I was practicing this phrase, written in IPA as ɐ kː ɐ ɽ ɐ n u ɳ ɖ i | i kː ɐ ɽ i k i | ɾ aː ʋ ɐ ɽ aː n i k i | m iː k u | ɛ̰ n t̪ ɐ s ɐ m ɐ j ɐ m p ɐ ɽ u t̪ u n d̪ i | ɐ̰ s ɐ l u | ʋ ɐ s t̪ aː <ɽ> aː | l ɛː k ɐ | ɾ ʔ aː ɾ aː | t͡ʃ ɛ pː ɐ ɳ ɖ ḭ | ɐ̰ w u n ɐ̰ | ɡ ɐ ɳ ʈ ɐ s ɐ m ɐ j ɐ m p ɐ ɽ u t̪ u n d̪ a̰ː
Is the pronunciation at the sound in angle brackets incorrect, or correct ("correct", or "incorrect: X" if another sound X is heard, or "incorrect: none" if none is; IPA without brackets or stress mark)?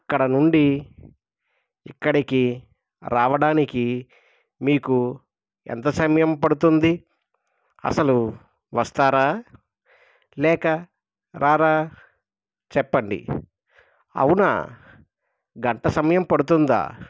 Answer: incorrect: ɾ